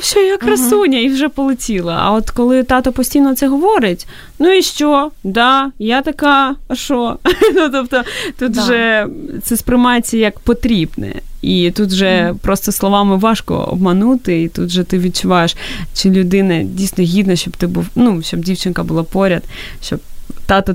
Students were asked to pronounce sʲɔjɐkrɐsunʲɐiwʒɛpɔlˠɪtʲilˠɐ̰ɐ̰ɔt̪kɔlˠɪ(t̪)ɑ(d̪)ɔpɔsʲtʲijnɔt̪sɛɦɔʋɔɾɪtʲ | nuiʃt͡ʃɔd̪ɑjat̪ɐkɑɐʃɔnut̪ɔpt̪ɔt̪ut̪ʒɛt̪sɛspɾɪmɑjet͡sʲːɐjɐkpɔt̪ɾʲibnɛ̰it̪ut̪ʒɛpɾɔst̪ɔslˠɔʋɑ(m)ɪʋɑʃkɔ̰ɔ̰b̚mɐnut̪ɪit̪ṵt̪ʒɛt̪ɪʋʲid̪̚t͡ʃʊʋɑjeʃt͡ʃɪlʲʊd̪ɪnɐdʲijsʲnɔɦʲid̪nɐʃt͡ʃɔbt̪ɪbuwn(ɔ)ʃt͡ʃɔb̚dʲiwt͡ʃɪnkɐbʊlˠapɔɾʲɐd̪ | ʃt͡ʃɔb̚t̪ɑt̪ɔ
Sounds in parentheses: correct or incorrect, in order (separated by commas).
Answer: correct, incorrect, correct, incorrect